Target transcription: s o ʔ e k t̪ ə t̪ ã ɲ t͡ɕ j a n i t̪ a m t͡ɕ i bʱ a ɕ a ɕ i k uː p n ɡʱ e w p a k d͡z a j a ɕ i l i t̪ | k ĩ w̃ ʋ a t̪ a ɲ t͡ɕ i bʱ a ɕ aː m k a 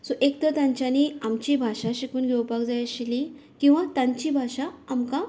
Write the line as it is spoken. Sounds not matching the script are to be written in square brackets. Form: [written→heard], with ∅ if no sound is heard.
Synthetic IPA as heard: s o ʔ e k t̪ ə t̪ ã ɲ t͡ɕ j a n i [t̪→∅] a m t͡ɕ i bʱ a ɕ a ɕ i k uː [p→∅] n ɡʱ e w p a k d͡z a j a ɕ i l i [t̪→∅] | k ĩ w̃ ʋ a t̪ a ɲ t͡ɕ i bʱ a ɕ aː m k a